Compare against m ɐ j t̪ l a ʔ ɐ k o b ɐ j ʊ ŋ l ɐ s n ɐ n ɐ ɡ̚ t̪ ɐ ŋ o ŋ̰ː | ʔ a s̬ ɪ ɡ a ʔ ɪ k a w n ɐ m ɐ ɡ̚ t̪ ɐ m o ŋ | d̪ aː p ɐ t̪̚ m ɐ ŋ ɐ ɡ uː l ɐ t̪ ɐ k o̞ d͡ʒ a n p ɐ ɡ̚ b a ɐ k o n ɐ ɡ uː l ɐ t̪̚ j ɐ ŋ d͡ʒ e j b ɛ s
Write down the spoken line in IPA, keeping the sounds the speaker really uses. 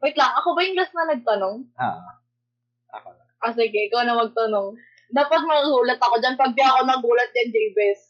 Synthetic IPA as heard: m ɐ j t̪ l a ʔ ɐ k o b ɐ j ʊ ŋ l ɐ s n ɐ n ɐ ɡ̚ t̪ ɐ n o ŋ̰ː | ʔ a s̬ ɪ ɡ ɛ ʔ ɪ k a w n ɐ m ɐ ɡ̚ t̪ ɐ n o ŋ | d̪ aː p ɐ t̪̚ m ɐ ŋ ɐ ɡ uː l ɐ t̪ ɐ k o̞ d͡ʒ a n p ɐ ɡ̚ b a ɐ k o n ɐ ɡ uː l ɐ t̪̚ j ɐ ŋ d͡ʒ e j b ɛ s